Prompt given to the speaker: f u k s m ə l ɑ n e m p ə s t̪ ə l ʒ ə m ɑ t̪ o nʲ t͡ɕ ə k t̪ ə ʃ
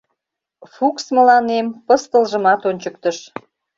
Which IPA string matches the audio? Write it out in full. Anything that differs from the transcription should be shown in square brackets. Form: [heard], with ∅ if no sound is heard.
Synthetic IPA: f u k s m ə l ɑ n e m p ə s t̪ ə l ʒ ə m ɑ t̪ o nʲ t͡ɕ ə k t̪ ə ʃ